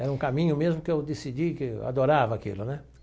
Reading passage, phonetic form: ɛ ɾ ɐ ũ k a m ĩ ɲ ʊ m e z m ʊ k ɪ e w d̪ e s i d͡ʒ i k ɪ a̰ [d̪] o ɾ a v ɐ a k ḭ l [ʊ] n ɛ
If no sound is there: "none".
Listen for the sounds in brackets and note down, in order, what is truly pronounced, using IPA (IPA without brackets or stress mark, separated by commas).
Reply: d̪, ʊ